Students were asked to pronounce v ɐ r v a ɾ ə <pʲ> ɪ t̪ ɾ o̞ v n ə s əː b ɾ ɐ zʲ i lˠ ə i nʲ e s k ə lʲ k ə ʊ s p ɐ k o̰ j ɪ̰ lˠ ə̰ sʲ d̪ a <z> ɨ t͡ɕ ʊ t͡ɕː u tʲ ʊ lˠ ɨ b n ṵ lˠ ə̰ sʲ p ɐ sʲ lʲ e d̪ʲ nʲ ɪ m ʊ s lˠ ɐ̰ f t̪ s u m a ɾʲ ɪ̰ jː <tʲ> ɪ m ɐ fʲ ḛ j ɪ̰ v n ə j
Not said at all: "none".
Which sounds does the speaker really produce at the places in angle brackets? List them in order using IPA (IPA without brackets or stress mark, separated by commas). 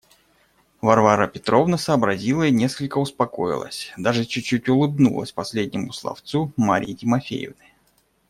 pʲ, ʐ, tʲ